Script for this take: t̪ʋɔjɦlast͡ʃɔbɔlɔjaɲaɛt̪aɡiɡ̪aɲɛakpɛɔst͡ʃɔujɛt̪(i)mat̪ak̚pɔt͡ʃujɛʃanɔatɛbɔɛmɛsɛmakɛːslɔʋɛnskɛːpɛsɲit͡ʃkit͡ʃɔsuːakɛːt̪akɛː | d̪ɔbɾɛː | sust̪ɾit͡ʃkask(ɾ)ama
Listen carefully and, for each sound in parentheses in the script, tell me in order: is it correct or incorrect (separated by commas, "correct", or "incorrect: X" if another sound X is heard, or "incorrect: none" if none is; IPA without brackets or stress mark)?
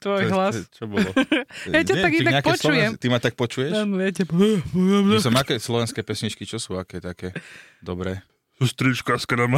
correct, correct